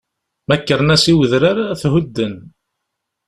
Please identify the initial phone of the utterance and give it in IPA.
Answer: m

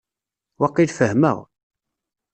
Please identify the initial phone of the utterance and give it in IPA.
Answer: w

